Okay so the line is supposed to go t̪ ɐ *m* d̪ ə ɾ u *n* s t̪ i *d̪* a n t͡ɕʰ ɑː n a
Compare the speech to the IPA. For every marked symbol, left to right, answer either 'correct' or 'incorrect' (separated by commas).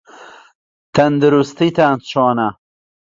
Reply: incorrect, incorrect, incorrect